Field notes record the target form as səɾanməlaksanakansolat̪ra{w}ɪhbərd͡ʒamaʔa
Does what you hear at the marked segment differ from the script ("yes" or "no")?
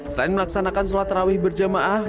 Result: no